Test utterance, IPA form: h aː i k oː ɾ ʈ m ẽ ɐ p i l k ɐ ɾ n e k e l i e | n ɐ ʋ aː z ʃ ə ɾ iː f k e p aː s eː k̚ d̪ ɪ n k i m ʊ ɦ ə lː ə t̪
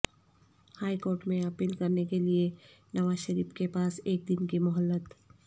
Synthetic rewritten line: h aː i k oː ɾ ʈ m ẽ ɐ p iː l k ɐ ɾ n e k e l i e | n ɐ ʋ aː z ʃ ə ɾ iː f k e p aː s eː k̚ d̪ ɪ n k i m ʊ ɦ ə lː ə t̪